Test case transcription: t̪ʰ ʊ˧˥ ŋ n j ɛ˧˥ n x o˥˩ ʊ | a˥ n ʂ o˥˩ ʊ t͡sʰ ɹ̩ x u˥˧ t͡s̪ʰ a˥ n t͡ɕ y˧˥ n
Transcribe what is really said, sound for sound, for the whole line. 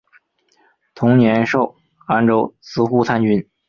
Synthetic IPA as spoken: t̪ʰ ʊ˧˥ ŋ n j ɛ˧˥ n ʂ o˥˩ ʊ | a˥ n ʈ͡ʂ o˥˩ ʊ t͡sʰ ɹ̩ x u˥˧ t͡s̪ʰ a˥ n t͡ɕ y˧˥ n

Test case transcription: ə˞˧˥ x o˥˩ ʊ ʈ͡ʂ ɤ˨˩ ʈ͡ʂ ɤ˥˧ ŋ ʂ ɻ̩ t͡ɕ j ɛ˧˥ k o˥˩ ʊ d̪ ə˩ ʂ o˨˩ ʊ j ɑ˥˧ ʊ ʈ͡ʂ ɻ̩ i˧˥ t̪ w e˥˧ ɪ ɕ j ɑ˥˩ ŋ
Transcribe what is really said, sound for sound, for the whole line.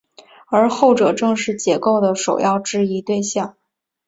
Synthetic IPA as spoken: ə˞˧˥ x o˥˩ ʊ ʈ͡ʂ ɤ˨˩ ʈ͡ʂ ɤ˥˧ ŋ ʂ ɻ̩ t͡ɕ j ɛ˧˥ k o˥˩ ʊ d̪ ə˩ ʂ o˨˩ ʊ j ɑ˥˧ ʊ ʈ͡ʂ ɻ̩ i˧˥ t̪ w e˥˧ ɪ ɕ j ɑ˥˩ ŋ

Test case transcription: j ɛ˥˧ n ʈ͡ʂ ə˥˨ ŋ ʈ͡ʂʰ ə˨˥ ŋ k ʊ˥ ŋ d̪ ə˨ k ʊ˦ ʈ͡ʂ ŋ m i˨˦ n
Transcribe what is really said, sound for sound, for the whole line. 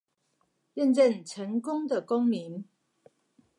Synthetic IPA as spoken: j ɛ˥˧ n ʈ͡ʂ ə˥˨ n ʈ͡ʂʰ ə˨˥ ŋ k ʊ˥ ŋ d̪ ə˨ k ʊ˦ ŋ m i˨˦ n

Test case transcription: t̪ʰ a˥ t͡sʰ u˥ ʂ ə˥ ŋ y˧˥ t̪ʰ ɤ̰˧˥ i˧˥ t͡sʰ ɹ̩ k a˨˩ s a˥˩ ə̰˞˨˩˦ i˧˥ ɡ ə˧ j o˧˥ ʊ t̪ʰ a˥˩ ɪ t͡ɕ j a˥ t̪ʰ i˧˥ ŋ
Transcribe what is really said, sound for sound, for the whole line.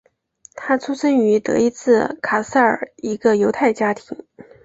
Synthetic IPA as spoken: t̪ʰ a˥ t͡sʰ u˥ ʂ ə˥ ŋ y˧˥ t̪ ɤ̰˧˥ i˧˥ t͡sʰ ɹ̩ kʰ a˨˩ s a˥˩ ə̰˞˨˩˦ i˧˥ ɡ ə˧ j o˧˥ ʊ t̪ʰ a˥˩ ɪ t͡ɕ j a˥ t̪ʰ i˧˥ ŋ

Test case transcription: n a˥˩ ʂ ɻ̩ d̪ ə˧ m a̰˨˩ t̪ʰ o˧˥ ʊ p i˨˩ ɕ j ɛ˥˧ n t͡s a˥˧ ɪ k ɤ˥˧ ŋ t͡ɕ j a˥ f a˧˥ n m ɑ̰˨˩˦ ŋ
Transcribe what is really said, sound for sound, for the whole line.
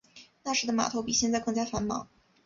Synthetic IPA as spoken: n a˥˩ ʂ ɻ̩ d̪ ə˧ m a̰˨˩ t̪ʰ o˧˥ ʊ p i˨˩ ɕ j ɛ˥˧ n t͡s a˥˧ ɪ k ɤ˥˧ ŋ t͡ɕ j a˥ f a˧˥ n m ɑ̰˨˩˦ ŋ

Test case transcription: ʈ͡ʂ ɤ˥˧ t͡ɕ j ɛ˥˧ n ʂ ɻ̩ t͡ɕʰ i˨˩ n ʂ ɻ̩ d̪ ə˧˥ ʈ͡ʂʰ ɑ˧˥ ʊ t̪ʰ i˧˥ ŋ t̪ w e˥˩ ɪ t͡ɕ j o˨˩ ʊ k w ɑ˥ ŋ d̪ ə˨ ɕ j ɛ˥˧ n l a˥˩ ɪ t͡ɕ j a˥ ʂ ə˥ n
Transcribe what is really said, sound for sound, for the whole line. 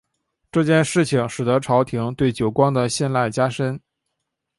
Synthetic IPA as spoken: ʈ͡ʂ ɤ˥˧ t͡ɕ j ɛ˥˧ n ʂ ɻ̩ t͡ɕʰ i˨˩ ŋ ʂ ɻ̩ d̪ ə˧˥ ʈ͡ʂʰ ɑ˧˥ ʊ t̪ʰ i˧˥ ŋ t̪ w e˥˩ ɪ t͡ɕ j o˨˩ ʊ k w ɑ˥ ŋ d̪ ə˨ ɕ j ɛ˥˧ n l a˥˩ ɪ t͡ɕ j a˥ ʂ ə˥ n

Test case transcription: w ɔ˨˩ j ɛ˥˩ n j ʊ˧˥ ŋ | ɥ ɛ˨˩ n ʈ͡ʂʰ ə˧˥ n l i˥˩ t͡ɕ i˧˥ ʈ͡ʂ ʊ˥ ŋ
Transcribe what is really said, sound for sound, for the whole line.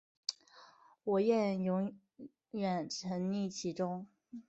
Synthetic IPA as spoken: w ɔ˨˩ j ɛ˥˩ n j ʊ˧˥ ŋ | ɥ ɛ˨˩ n ʈ͡ʂʰ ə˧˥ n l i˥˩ t͡ɕʰ i˧˥ ʈ͡ʂ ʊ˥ ŋ

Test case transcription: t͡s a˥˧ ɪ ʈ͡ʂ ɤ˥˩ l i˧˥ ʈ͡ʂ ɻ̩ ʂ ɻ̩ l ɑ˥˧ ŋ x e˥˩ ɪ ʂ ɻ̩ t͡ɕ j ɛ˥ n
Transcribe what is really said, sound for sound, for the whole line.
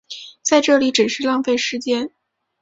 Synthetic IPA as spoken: t͡s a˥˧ ɪ ʈ͡ʂ ɤ˥˩ l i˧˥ ʈ͡ʂ ɻ̩ ʂ ɻ̩ l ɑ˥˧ ŋ f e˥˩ ɪ ʂ ɻ̩ t͡ɕ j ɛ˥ n

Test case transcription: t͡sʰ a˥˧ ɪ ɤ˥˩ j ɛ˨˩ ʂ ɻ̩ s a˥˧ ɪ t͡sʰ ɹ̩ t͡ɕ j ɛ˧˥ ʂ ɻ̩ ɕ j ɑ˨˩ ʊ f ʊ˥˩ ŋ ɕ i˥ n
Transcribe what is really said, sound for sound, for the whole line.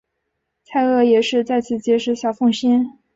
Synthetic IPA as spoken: t͡sʰ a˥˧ ɪ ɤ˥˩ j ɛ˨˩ ʂ ɻ̩ t͡s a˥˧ ɪ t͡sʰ ɹ̩ t͡ɕ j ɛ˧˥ ʂ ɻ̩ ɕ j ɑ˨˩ ʊ f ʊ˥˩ ŋ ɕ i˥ n

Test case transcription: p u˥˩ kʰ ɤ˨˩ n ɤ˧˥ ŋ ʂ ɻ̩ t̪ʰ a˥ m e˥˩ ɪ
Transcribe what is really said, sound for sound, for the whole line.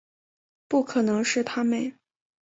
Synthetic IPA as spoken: p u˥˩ kʰ ɤ˨˩ n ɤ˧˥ ŋ ʂ ɻ̩ t̪ʰ a˥ m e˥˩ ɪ

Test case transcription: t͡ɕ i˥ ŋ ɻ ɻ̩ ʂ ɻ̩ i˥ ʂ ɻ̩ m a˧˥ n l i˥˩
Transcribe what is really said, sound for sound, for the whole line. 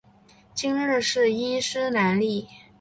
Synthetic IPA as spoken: t͡ɕ i˥ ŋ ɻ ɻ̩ ʂ ɻ̩ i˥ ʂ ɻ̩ n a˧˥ n l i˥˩

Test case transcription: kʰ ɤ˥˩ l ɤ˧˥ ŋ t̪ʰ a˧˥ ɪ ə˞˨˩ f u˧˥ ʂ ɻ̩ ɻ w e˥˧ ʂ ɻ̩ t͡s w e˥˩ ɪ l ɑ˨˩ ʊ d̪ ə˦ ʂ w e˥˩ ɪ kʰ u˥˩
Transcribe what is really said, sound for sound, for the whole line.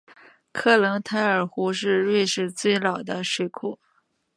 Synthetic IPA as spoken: kʰ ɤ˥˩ l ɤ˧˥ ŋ t̪ʰ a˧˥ ɪ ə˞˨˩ x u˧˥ ʂ ɻ̩ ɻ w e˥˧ ʂ ɻ̩ t͡s w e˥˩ ɪ l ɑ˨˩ ʊ d̪ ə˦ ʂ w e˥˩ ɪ kʰ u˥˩

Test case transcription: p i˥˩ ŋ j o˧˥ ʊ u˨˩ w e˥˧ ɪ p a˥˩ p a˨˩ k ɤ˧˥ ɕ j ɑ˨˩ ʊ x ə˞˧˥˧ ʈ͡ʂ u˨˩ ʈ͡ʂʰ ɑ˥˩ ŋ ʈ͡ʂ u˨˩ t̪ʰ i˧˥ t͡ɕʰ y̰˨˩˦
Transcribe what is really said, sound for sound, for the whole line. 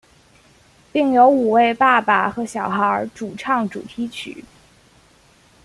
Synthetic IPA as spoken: p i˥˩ ŋ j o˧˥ ʊ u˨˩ w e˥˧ ɪ p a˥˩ p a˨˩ x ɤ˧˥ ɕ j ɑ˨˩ ʊ x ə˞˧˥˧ ʈ͡ʂ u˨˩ ʈ͡ʂʰ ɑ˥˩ ŋ ʈ͡ʂ u˨˩ t̪ʰ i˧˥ t͡ɕʰ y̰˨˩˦

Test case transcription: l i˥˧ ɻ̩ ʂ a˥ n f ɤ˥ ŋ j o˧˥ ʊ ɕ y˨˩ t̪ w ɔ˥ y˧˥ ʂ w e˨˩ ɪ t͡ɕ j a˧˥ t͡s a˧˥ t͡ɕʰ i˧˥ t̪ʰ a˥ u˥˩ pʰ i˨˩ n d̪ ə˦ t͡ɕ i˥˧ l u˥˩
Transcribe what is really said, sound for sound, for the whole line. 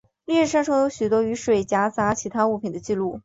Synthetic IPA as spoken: l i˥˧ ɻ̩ ʂ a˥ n ʂ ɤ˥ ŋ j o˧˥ ʊ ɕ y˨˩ t̪ w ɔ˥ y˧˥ ʂ w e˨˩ ɪ t͡ɕ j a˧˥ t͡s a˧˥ t͡ɕʰ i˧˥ t̪ʰ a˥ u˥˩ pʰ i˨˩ n d̪ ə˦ t͡ɕ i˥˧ l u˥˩

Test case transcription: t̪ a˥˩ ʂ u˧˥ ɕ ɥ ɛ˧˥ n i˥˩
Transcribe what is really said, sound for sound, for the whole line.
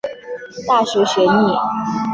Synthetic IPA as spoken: t̪ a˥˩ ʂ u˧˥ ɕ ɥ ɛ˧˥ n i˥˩

